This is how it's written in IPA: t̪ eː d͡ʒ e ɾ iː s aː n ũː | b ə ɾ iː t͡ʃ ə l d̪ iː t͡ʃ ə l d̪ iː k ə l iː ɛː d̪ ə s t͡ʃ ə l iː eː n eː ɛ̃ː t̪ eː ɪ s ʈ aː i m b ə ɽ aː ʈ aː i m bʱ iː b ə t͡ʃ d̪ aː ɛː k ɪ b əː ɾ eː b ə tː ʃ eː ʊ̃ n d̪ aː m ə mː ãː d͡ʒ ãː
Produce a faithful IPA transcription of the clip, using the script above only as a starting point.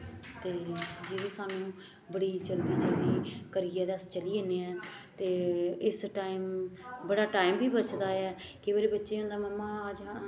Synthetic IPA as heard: t̪ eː d͡ʒ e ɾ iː s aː n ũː | b ə ɽ iː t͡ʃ ə l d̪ iː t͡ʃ ə l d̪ iː k ə ɾ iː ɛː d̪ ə s t͡ʃ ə l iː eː n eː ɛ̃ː t̪ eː ɪ s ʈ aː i m b ə ɽ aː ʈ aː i m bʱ iː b ə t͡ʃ d̪ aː ɛː k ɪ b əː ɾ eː b ə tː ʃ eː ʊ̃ n d̪ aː m ə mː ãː d͡ʒ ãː